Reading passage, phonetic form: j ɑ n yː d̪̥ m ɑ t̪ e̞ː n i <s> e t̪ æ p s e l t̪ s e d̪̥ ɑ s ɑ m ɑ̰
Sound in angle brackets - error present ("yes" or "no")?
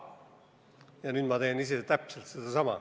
no